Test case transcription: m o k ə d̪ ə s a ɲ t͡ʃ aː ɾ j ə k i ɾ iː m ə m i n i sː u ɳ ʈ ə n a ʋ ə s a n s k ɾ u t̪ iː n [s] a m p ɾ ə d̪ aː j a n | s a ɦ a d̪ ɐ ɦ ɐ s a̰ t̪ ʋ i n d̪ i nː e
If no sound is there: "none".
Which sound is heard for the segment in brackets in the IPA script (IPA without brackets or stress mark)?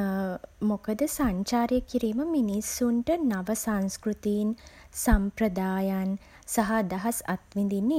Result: s